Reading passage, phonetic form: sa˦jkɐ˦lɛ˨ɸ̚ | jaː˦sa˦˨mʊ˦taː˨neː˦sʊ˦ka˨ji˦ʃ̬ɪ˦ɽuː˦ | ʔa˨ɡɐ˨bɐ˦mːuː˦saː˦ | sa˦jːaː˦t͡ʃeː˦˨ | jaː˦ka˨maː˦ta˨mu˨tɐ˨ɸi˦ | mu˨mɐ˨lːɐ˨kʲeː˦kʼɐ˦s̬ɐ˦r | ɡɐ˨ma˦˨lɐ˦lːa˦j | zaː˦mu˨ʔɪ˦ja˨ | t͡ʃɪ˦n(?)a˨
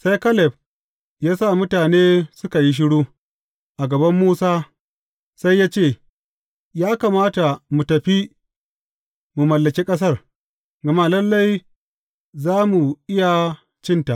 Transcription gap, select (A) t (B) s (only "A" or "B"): A